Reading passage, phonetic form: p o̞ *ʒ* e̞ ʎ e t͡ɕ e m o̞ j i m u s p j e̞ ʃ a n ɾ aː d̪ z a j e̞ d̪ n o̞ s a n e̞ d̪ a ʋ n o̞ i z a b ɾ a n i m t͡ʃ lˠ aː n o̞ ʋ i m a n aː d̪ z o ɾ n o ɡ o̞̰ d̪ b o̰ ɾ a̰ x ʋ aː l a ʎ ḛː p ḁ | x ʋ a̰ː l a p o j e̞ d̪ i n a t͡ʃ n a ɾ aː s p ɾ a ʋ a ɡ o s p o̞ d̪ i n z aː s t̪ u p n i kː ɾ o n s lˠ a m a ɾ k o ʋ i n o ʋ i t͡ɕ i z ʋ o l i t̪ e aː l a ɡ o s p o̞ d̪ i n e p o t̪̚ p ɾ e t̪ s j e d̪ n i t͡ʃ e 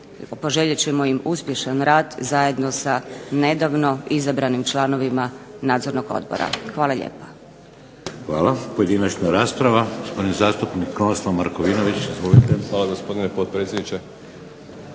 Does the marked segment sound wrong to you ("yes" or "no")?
no